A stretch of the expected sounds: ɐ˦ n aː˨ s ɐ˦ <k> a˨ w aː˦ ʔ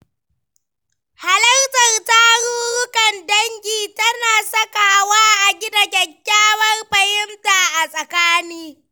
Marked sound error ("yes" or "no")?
no